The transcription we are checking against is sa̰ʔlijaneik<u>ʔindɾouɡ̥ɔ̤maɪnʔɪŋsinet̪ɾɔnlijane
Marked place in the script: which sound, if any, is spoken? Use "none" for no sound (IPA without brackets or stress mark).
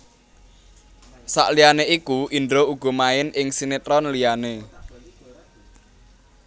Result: u